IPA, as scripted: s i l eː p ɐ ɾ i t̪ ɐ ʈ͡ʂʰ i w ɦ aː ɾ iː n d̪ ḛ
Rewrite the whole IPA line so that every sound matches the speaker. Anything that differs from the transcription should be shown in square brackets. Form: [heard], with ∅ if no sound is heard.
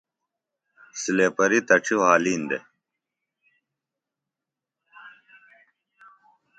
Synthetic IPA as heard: s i l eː p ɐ ɾ i t̪ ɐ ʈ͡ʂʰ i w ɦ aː [l] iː n d̪ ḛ